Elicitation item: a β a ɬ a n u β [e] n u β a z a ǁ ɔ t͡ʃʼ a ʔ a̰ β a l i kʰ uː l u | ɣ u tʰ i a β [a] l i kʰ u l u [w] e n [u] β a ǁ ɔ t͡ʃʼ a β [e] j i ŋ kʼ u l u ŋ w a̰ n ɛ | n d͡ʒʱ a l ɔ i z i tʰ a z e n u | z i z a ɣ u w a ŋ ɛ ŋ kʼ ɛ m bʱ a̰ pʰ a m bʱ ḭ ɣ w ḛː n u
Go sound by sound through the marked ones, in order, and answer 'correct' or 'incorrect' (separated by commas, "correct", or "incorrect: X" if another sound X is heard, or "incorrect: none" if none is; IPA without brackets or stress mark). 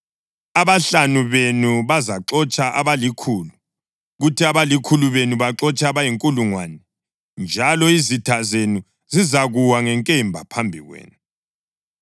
correct, correct, incorrect: β, correct, incorrect: a